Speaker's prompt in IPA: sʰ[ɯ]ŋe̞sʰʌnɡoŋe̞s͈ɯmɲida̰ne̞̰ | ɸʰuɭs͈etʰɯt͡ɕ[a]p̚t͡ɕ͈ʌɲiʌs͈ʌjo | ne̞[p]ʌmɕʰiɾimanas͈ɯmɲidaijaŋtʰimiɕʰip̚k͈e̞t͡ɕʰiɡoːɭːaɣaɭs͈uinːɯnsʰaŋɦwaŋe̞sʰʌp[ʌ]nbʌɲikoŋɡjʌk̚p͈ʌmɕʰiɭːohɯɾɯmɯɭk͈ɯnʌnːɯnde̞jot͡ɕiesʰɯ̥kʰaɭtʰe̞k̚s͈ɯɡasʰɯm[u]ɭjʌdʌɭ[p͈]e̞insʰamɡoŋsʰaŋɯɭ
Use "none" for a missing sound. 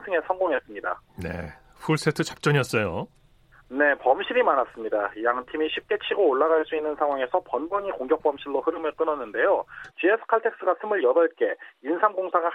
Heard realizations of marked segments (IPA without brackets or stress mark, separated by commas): ɯ, a, p, ʌ, ɯ, k͈